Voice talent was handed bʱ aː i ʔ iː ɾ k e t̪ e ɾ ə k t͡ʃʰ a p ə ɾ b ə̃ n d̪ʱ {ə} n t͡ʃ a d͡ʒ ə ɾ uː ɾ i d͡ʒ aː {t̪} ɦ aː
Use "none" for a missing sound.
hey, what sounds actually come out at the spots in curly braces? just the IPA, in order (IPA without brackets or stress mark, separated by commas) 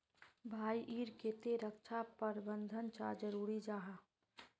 ə, none